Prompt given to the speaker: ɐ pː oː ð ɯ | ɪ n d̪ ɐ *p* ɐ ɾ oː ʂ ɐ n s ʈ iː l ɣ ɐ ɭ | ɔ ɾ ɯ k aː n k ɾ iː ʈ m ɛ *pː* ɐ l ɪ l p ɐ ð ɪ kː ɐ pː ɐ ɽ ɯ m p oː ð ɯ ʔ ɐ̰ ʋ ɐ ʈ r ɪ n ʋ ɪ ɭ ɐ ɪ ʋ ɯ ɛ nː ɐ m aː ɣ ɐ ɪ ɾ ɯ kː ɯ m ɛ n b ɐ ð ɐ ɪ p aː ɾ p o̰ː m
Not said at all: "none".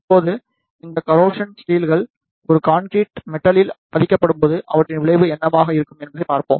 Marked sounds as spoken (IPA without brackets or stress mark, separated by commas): k, ʈː